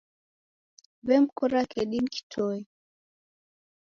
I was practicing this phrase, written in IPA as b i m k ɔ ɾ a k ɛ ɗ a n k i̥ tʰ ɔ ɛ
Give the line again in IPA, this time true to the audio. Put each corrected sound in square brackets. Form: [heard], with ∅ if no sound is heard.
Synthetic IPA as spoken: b [ɛ] m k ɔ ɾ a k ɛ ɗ [i] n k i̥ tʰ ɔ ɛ

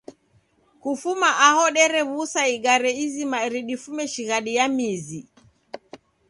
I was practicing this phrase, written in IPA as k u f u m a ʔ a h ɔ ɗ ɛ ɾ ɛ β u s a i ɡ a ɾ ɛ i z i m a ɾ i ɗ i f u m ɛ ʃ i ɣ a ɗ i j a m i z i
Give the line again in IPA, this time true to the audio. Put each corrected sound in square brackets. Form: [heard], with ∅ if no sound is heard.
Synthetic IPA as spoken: k u f u m a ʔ a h ɔ ɗ ɛ ɾ ɛ β u s a i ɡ a ɾ ɛ i z i m a ɾ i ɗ i f u m ɛ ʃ i ɣ a ɗ i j a m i z i

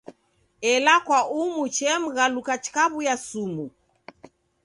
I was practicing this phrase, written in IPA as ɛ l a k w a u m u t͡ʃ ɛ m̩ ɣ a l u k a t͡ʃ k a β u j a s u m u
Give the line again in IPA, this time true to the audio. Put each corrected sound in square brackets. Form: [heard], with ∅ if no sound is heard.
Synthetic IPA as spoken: ɛ l a k w a u m u t͡ʃ ɛ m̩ ɣ a l u k a t͡ʃ k a β u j a s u m u

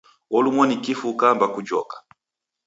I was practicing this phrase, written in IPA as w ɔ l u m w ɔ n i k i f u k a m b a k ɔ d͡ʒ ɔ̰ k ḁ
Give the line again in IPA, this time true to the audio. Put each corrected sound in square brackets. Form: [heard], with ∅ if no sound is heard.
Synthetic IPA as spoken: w ɔ l u m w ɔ n i k i f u k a m b a k [u] d͡ʒ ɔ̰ k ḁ

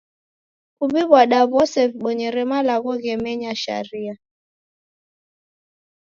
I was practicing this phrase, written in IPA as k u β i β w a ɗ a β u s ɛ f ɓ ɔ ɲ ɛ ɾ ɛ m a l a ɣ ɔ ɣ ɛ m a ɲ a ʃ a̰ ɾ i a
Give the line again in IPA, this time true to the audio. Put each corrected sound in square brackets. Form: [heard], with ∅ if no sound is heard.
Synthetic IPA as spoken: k u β i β w a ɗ a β [ɔ] s ɛ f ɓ ɔ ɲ ɛ ɾ ɛ m a l a ɣ ɔ ɣ ɛ m [ɛ] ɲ a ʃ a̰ ɾ i a

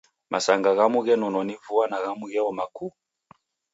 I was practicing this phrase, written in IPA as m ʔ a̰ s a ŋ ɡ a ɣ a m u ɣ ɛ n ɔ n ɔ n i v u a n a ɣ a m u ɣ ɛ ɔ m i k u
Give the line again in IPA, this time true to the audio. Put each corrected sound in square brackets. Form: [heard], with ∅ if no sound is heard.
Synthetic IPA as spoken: m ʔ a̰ s a ŋ ɡ a ɣ a m u ɣ ɛ n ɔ n ɔ n i v u a n a ɣ a m u ɣ ɛ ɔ m [a] k u

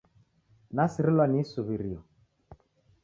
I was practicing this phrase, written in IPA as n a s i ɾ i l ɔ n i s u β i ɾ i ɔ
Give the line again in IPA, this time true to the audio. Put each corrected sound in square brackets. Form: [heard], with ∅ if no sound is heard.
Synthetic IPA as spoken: n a s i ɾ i l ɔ n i s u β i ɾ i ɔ

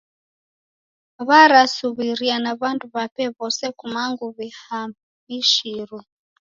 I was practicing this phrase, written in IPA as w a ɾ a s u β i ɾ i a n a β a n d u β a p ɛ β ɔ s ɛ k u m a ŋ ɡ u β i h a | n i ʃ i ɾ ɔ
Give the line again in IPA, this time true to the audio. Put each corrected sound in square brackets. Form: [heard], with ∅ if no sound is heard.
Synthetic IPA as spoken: [β] a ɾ a s u β i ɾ i a n a β a n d u β a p ɛ β ɔ s ɛ k u m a ŋ ɡ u β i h a | [m] i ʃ i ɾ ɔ

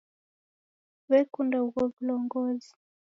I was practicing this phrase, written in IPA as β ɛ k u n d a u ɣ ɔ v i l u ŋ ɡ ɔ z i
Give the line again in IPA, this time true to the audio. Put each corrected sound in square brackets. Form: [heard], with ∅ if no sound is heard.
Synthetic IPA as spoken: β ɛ k u n d a u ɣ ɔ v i l [ɔ] ŋ ɡ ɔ z i

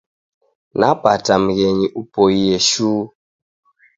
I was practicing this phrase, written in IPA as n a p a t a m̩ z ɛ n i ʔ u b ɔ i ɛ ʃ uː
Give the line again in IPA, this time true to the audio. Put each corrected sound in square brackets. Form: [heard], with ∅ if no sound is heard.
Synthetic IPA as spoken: n a p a t a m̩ [ɣ] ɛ [ɲ] i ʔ u [p] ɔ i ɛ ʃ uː

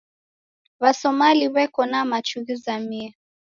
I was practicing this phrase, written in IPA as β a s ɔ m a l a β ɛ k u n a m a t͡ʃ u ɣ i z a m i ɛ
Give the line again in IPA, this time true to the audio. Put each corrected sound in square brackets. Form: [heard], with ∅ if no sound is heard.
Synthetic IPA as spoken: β a s ɔ m a l [i] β ɛ k [ɔ] n a m a t͡ʃ u ɣ i z a m i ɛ

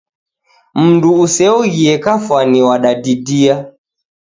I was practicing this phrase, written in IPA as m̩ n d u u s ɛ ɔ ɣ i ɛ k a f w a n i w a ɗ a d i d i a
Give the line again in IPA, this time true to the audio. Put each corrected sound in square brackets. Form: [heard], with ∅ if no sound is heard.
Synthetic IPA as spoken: m̩ n d u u s ɛ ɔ ɣ i ɛ k a f w a n i w a ɗ a d i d i a

